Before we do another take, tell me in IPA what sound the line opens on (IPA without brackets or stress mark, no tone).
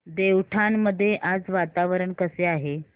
d̪